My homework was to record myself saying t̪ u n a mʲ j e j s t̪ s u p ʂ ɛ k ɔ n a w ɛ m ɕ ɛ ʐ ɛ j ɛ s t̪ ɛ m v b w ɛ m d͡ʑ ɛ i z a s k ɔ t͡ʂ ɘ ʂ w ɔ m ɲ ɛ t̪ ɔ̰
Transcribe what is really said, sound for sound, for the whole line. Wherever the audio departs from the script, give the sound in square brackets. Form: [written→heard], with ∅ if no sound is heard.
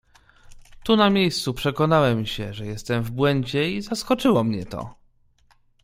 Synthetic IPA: t̪ u n a mʲ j e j s t̪ s u p ʂ ɛ k ɔ n a w ɛ m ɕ ɛ ʐ ɛ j ɛ s t̪ ɛ m v b w ɛ [m→ɲ] d͡ʑ ɛ i z a s k ɔ t͡ʂ ɘ [ʂ→∅] w ɔ m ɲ ɛ t̪ ɔ̰